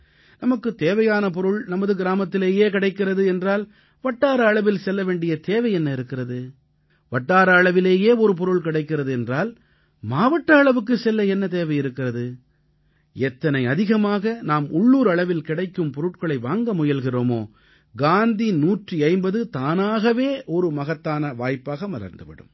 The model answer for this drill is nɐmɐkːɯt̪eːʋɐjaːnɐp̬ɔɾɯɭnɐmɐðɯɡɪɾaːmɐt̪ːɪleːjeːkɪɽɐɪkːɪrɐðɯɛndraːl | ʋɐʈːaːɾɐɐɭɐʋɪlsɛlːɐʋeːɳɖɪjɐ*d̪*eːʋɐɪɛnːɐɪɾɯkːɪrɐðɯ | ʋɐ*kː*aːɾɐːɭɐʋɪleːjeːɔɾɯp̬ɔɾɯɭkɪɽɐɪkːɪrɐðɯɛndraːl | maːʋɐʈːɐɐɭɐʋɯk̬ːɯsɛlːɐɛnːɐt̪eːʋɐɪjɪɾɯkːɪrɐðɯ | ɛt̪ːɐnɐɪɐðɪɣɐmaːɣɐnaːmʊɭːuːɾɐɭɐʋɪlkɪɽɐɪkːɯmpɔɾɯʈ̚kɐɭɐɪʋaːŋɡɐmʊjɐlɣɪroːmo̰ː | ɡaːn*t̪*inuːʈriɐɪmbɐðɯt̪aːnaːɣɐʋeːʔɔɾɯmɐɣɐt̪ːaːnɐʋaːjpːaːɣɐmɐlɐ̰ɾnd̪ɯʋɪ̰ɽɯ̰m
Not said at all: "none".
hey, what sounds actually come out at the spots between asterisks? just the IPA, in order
t̪, ʈː, d̪

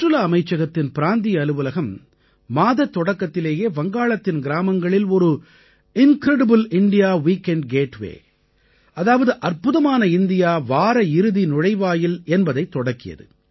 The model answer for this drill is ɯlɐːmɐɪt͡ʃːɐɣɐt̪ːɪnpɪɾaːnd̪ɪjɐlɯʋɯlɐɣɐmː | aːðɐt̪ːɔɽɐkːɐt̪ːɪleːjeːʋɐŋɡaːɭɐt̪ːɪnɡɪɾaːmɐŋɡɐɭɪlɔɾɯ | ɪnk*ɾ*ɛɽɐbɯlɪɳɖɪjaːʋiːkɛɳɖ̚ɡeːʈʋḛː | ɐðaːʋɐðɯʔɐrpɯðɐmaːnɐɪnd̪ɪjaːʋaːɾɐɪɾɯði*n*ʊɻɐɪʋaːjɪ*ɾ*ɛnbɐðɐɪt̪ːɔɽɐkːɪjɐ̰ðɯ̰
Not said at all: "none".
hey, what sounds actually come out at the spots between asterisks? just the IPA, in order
ɾ, n, l

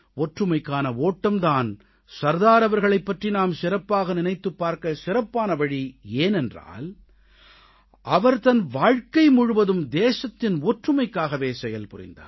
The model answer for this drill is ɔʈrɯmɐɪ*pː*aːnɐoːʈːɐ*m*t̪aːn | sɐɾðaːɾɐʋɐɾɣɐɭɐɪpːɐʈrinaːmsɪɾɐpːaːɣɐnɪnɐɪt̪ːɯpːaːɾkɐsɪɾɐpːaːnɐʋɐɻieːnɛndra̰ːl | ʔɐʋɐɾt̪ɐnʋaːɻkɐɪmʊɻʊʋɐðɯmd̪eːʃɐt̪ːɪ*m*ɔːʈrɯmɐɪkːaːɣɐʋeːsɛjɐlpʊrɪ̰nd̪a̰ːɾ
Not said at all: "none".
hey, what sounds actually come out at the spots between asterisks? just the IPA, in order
kː, m, n

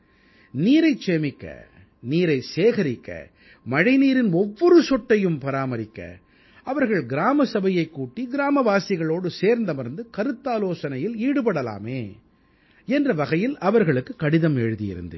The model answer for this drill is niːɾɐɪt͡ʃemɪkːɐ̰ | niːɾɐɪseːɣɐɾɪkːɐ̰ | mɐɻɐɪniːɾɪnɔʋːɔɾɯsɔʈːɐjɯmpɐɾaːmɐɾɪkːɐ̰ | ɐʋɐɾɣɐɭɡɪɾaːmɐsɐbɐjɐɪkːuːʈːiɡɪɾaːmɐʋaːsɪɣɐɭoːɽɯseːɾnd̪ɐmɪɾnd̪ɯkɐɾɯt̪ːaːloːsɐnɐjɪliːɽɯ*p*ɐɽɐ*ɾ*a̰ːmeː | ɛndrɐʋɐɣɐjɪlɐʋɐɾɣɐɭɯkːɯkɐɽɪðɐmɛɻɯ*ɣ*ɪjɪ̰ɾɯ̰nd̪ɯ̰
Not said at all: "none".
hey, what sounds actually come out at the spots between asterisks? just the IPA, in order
p, l, ð

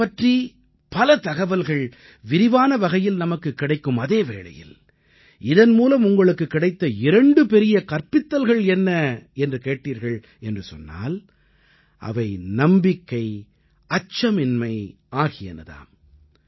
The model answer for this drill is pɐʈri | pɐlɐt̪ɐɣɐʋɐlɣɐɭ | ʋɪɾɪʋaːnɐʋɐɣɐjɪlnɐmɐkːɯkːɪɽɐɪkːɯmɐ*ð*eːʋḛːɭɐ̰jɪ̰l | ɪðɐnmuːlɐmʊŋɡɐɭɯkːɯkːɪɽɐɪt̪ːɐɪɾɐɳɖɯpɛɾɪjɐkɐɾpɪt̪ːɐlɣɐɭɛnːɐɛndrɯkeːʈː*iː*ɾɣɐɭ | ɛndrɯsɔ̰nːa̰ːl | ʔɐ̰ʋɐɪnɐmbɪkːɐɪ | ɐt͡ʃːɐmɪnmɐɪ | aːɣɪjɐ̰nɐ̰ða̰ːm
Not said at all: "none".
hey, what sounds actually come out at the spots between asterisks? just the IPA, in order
ð, iː

